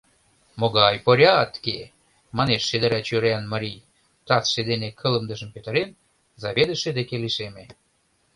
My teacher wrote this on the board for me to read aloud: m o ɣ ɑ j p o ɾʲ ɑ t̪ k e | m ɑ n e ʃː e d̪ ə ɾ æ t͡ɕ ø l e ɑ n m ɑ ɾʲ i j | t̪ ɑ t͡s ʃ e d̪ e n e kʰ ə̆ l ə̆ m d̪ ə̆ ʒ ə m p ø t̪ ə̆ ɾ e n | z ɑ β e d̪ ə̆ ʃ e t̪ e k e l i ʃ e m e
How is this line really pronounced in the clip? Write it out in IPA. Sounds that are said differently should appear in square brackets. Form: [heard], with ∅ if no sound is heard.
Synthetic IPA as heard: m o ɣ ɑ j p o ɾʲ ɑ t̪ k e | m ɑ n e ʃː e d̪ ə ɾ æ t͡ɕ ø [ɾ] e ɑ n m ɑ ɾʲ i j | t̪ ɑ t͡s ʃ e d̪ e n e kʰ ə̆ l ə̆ m d̪ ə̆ ʒ ə m p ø t̪ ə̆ ɾ e n | z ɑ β e d̪ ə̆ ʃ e [d̪] e k e l i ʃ e m e

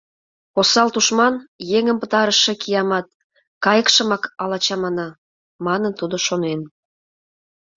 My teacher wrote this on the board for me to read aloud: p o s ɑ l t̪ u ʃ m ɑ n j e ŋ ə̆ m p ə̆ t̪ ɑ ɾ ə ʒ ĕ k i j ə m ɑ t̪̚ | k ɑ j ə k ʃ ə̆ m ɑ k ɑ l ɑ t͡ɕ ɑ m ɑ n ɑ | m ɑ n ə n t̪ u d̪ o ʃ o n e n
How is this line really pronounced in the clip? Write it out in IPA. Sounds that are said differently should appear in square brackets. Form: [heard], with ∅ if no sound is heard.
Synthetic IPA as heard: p o s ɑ l t̪ u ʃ m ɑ n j e ŋ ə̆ m p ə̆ t̪ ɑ ɾ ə [ʃ] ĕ k i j [ɑ] m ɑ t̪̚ | k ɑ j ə k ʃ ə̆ m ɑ k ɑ l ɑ t͡ɕ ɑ m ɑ n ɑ | m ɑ n ə n t̪ u d̪ o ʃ o n e n

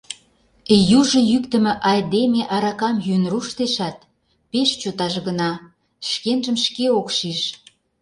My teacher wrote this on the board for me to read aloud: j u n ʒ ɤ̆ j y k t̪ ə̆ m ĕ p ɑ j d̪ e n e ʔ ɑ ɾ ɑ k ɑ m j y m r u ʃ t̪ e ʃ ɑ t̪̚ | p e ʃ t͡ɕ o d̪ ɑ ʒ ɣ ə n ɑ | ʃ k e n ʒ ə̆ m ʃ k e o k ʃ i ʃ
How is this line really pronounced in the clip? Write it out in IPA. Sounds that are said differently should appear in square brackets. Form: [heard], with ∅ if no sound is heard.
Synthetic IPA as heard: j u [∅] ʒ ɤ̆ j y k t̪ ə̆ m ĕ [ʔ] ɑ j d̪ e [m] e ʔ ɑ ɾ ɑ k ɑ m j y [n] r u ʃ t̪ e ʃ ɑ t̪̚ | p e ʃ t͡ɕ o [t̪] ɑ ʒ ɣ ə n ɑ | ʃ k e n ʒ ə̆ m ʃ k e o k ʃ i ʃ

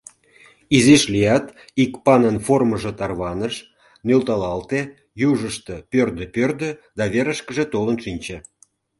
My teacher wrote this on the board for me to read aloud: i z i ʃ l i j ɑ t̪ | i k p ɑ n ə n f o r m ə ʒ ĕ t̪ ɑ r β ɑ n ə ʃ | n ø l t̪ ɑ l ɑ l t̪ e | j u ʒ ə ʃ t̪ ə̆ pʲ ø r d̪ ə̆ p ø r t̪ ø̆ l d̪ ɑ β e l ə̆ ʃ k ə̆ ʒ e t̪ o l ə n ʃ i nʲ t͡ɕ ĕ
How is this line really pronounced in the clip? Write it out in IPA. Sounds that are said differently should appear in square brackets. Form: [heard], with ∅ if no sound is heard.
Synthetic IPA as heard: i z i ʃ l i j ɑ t̪ | i k p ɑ n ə n f o r m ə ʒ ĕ t̪ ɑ r β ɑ n ə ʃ | n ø l t̪ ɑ l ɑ l t̪ e | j u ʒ ə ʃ t̪ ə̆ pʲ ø r d̪ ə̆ p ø r [d̪] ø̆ [∅] d̪ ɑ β e [ɾ] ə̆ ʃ k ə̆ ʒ e t̪ o l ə n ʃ i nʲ t͡ɕ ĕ

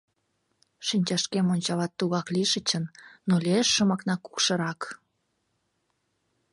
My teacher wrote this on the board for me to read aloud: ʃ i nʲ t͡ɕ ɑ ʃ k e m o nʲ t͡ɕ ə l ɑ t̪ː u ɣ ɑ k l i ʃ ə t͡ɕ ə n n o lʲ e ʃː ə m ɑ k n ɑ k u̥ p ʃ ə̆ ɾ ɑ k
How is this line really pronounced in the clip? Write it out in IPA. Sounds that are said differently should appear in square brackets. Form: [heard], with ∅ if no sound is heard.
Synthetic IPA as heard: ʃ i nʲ t͡ɕ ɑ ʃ k e m o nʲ t͡ɕ [ɑ] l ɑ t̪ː u ɣ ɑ k l i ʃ ə t͡ɕ ə n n o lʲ e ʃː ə m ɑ k n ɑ k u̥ [k] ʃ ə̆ ɾ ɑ k

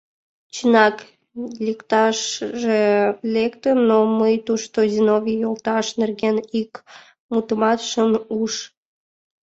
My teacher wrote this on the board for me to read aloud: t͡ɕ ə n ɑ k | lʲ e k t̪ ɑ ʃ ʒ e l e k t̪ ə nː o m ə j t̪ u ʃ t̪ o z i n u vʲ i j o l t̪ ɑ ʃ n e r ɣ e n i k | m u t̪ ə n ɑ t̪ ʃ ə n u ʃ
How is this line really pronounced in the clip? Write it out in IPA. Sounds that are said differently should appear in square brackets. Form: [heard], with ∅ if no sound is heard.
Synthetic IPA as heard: t͡ɕ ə n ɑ k | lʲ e k t̪ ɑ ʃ ʒ e l e k t̪ ə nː o m ə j t̪ u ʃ t̪ o z i n [o] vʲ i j o l t̪ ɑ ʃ n e r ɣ e n i k | m u t̪ ə [m] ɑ t̪ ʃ ə n u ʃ

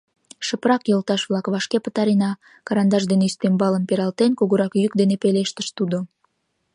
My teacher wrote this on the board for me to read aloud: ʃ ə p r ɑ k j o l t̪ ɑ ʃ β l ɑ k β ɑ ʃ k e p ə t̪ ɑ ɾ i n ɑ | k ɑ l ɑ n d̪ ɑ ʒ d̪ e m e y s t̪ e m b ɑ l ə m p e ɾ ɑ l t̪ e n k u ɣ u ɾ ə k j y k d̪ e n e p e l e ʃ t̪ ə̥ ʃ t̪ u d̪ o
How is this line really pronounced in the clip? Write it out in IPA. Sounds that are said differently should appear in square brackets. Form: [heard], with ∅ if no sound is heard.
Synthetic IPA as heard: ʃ ə p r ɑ k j o l t̪ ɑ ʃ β l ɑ k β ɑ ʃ k e p ə t̪ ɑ ɾ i n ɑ | k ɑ [ɾ] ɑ n d̪ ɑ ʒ d̪ e [n] e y s t̪ e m b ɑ l ə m p e ɾ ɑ l t̪ e n k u ɣ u ɾ [ɑ] k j y k d̪ e n e p e l e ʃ t̪ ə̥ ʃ t̪ u d̪ o

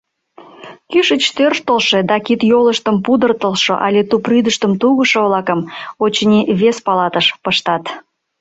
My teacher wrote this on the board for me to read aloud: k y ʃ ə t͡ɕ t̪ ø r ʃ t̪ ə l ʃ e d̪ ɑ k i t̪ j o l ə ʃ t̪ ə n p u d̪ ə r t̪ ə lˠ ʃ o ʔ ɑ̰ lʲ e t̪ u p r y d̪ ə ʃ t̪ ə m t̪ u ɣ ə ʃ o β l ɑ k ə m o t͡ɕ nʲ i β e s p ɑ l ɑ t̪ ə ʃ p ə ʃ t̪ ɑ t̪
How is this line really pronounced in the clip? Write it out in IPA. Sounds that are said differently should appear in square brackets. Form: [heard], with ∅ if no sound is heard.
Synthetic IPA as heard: k y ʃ ə t͡ɕ t̪ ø r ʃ t̪ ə l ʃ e d̪ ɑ k i t̪ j o l ə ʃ t̪ ə [m] p u d̪ ə r t̪ ə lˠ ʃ o ʔ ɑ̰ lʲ e t̪ u p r y d̪ ə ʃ t̪ ə m t̪ u ɣ ə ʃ o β l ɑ k ə m o t͡ɕ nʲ i β e s p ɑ l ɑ t̪ ə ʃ p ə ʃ t̪ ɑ t̪

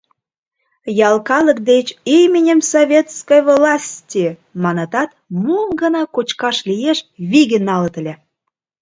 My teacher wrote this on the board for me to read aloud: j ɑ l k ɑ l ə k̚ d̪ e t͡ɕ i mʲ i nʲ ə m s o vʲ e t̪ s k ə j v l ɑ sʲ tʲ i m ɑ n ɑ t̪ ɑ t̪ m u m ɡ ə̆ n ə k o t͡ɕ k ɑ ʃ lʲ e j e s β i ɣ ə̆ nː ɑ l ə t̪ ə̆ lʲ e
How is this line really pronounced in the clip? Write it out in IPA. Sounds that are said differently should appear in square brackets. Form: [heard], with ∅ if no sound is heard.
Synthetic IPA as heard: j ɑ l k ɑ l ə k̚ d̪ e t͡ɕ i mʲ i nʲ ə m s o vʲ e t̪ s k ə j v l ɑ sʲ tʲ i m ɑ n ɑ t̪ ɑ t̪ m u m ɡ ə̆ n [ɑ] k o t͡ɕ k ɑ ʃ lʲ [i] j e [ʃ] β i ɣ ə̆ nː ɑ l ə t̪ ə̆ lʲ e

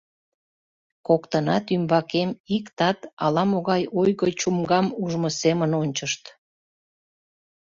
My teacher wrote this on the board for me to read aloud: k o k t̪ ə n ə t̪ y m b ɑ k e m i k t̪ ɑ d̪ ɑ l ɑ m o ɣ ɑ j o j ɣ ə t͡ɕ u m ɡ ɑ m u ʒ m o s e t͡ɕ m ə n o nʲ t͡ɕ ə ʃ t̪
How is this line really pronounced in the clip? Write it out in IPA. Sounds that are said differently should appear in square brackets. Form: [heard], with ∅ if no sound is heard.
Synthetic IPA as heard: k o k t̪ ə n [ɑ] t̪ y m b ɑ k e m i k t̪ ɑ [t̪] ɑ l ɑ m o ɣ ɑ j o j ɣ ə t͡ɕ u m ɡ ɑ m u ʒ m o s e [∅] m ə n o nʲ t͡ɕ ə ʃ t̪

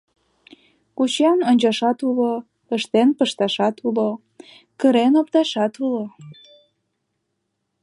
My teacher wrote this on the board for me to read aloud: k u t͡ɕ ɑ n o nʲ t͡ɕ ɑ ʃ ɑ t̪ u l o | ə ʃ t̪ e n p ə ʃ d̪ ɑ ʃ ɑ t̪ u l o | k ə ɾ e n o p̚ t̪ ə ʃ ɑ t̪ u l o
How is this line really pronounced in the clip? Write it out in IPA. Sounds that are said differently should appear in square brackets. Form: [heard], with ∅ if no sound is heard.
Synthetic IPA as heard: k u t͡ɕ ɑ n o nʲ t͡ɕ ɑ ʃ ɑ t̪ u l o | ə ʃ t̪ e n p ə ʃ [t̪] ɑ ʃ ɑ t̪ u l o | k ə ɾ e n o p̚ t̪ [ɑ] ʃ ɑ t̪ u l o

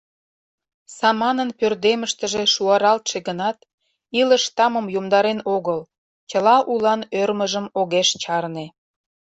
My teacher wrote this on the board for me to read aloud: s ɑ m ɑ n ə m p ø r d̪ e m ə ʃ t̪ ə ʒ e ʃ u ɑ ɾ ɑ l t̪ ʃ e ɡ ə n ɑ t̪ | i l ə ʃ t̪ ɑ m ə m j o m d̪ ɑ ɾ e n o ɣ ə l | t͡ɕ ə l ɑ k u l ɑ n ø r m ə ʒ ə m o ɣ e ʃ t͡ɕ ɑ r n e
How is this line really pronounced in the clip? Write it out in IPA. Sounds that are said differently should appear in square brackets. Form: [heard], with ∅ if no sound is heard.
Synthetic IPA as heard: s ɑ m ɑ n ə [n] p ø r d̪ e m ə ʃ t̪ ə ʒ e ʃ u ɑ ɾ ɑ l t̪ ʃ e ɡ ə n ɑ t̪ | i l ə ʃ t̪ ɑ m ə m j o m d̪ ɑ ɾ e n o ɣ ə l | t͡ɕ ə l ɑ [ʔ] u l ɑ n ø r m ə ʒ ə m o ɣ e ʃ t͡ɕ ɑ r n e

